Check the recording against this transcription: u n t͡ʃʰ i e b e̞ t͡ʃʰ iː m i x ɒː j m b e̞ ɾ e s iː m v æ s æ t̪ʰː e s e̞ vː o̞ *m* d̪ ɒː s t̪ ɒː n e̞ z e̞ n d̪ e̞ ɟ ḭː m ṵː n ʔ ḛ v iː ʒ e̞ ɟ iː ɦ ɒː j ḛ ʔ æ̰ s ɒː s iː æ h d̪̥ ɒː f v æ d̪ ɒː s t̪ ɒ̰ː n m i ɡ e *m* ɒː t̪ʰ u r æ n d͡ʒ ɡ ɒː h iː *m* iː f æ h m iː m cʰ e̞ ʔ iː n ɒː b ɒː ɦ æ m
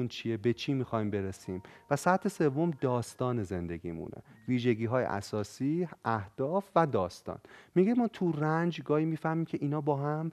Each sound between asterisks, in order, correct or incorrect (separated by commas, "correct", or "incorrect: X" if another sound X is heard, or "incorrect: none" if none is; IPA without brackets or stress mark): correct, correct, correct